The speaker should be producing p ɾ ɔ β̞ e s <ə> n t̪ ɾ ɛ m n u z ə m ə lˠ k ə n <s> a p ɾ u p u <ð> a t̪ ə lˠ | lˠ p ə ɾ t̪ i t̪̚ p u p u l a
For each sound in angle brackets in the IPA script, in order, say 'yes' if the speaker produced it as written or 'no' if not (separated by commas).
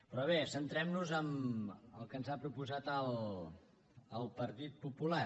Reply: yes, no, no